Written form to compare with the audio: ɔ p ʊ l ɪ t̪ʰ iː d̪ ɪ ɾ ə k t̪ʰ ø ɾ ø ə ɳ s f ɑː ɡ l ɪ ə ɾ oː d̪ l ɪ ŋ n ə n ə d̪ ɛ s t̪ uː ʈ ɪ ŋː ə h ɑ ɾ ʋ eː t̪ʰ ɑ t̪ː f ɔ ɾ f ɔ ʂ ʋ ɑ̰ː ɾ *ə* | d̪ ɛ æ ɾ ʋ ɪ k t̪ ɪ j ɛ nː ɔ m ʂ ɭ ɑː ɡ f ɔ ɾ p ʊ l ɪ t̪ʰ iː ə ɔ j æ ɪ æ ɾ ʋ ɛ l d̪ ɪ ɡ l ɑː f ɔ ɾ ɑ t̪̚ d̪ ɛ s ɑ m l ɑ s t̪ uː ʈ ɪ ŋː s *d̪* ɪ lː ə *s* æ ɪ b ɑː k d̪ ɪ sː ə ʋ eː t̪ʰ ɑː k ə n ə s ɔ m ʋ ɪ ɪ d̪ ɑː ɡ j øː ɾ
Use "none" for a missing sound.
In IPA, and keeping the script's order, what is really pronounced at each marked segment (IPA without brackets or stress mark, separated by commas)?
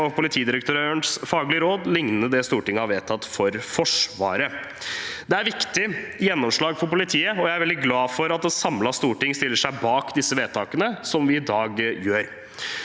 ə, t̪, ʂ